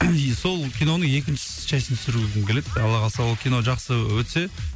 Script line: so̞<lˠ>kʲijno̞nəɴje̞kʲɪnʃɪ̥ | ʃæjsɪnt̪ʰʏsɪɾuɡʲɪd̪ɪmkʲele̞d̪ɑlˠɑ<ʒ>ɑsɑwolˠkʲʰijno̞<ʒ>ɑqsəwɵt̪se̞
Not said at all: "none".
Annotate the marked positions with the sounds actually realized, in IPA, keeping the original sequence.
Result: lˠ, ʁ, ʒ

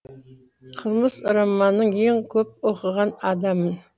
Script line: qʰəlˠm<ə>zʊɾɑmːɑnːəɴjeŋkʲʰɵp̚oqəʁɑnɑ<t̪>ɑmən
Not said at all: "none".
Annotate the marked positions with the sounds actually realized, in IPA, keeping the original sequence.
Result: ə, d̪

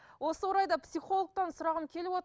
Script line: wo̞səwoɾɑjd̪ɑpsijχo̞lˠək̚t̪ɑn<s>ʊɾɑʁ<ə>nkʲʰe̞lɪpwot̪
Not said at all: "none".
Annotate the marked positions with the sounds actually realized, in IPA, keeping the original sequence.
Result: s, ə

